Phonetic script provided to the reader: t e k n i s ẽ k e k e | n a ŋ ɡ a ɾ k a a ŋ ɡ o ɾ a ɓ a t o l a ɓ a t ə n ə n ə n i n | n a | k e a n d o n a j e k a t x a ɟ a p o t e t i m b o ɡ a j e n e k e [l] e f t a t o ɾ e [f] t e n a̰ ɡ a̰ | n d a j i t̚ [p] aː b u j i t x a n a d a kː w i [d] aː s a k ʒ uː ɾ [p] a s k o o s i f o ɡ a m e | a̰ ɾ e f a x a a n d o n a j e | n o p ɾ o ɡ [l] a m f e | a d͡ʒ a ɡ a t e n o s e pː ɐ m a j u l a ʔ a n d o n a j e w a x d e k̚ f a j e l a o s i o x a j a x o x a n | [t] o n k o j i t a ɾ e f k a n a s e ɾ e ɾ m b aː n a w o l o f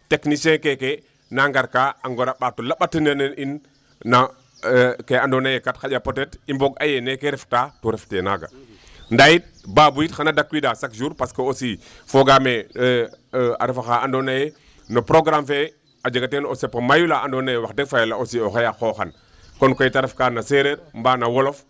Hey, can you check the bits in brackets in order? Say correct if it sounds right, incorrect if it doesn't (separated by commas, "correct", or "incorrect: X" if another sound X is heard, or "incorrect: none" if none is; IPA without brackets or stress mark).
incorrect: ɾ, correct, incorrect: b, correct, correct, incorrect: ɾ, incorrect: k